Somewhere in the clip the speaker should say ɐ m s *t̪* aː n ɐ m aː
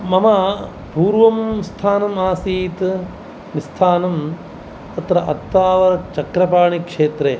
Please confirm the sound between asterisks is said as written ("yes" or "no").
no